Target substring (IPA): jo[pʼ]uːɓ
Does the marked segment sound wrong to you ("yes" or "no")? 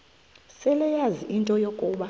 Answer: yes